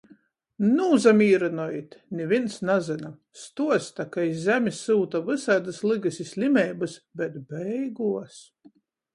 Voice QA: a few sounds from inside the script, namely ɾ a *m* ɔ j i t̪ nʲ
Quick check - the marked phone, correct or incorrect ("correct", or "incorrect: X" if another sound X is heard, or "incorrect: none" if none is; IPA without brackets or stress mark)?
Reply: incorrect: n